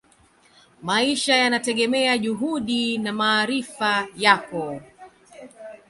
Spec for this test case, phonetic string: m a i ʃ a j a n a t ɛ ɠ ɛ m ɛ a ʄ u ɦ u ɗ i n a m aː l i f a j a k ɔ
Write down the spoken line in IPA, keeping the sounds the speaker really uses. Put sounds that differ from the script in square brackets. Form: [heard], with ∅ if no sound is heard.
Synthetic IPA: m a i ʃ a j a n a t ɛ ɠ ɛ m ɛ a ʄ u ɦ u ɗ i n a m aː [ɾ] i f a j a k ɔ